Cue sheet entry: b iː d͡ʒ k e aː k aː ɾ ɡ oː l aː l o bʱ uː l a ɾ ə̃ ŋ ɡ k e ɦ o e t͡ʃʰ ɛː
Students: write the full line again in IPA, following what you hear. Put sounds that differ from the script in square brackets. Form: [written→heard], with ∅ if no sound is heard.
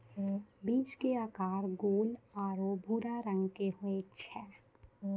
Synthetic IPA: b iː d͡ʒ k e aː k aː ɾ ɡ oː l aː [l→ɾ] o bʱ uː [l→ɾ] a ɾ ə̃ ŋ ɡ k e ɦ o e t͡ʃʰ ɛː

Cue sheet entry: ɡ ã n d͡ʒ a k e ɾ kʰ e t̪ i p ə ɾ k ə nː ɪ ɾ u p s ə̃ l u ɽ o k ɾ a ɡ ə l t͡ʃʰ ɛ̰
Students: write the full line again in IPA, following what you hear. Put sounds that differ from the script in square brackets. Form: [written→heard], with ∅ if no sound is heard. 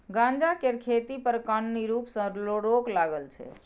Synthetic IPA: ɡ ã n d͡ʒ a k e ɾ kʰ e t̪ i p ə ɾ k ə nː [ɪ→i] ɾ u p s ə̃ l [u→o] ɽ o k [ɾ→l] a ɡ ə l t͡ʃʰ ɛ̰

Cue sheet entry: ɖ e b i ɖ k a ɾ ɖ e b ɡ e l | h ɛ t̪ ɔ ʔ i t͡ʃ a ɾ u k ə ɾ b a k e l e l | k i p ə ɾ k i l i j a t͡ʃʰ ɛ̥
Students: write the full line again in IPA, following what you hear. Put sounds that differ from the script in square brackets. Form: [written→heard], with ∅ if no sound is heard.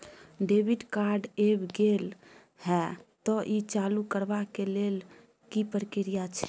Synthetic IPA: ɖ e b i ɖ k a ɾ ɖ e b ɡ e l | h ɛ t̪ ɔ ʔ i t͡ʃ a [ɾ→l] u k ə ɾ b a k e l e l | k i p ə ɾ k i [l→ɾ] i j a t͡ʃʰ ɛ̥

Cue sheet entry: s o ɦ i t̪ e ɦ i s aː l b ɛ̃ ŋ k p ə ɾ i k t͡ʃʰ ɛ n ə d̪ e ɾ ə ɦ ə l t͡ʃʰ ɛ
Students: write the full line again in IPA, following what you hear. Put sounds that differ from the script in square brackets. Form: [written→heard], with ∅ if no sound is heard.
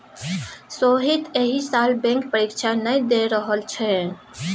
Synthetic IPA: s o ɦ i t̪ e ɦ i s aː l b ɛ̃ ŋ k p ə ɾ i k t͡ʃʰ [ɛ→a] n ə d̪ e ɾ ə ɦ ə l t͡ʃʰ ɛ

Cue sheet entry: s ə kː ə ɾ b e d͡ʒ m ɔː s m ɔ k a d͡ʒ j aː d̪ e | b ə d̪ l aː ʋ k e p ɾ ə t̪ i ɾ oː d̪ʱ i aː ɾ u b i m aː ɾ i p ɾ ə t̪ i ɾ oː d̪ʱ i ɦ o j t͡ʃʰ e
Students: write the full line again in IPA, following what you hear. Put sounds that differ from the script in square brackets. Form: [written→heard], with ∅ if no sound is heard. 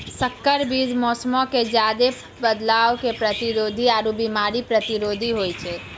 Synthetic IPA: s ə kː ə ɾ b [e→i] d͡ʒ m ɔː s m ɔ k [a→e] d͡ʒ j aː d̪ e | b ə d̪ l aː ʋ k e p ɾ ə t̪ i ɾ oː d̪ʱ i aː ɾ u b i m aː ɾ i p ɾ ə t̪ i ɾ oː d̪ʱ i ɦ o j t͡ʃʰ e

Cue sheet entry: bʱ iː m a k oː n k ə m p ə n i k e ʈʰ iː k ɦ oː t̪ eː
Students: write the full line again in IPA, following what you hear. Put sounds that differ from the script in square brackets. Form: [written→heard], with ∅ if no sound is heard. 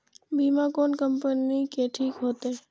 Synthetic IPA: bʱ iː m a k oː n k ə m p ə n i k e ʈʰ iː k ɦ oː t̪ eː

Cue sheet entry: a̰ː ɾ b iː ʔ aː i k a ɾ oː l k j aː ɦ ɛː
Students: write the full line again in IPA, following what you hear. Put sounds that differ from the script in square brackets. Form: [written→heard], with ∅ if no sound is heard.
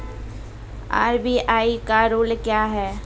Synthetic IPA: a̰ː ɾ b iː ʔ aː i k a ɾ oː l k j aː ɦ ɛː

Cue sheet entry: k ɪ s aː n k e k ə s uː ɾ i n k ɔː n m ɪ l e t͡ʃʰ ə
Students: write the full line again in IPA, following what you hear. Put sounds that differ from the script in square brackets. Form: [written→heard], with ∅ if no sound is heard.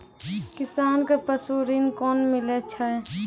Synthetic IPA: k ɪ s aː n k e [k→p] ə s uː ɾ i n k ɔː n m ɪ l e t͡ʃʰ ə

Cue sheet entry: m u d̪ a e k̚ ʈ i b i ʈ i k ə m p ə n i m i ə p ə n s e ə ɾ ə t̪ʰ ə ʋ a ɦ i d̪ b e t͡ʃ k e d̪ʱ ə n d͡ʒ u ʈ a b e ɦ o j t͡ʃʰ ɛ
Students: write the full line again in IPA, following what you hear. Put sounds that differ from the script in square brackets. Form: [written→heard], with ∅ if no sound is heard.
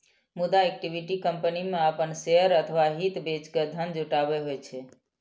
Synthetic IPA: m u d̪ a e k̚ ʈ i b i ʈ i k ə m p ə n i m [i→e] ə p ə n s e ə ɾ ə t̪ʰ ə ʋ a ɦ i [d̪→t̪] b e t͡ʃ k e d̪ʱ ə n d͡ʒ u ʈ a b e ɦ o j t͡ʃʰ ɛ

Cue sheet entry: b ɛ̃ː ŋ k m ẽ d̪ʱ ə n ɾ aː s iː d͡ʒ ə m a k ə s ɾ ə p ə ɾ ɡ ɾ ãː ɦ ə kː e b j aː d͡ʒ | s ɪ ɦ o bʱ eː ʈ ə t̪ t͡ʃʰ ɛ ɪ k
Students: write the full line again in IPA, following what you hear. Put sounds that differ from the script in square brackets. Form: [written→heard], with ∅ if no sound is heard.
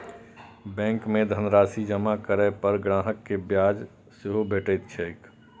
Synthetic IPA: b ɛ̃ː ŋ k m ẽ d̪ʱ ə n ɾ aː s [iː→i] d͡ʒ ə m a k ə [s→∅] ɾ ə p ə ɾ ɡ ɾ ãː ɦ ə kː e b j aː d͡ʒ | s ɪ ɦ o bʱ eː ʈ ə t̪ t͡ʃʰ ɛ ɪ k

